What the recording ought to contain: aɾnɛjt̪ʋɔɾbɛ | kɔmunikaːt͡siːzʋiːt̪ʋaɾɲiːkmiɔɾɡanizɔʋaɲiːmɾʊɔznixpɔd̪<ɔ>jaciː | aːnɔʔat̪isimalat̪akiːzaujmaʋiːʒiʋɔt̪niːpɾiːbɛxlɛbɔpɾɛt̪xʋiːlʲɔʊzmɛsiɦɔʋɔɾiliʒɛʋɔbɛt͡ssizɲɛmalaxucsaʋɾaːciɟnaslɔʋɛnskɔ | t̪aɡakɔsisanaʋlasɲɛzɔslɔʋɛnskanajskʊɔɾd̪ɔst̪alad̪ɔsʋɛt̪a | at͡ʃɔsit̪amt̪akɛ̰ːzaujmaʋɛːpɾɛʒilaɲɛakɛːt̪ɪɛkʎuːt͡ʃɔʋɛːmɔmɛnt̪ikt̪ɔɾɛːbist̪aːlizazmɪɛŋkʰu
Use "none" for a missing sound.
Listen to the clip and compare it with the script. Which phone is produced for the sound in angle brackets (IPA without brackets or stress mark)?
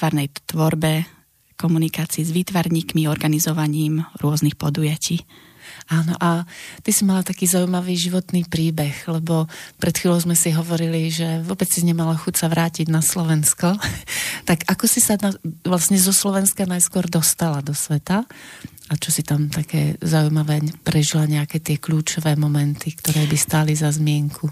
u